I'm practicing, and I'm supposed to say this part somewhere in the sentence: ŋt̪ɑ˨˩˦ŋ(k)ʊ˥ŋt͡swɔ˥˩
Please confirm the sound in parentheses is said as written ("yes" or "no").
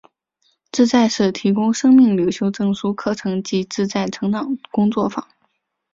yes